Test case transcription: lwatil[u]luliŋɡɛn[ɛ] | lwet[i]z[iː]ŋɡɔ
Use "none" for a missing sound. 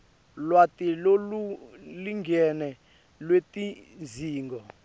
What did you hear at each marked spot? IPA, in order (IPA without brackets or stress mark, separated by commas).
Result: o, ɛ, i, iː